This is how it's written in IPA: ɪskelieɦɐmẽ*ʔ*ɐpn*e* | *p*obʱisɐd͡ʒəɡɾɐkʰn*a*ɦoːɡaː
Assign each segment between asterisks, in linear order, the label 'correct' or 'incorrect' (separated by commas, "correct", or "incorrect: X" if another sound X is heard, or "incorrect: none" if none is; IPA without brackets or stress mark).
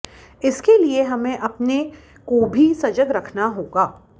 correct, correct, incorrect: k, correct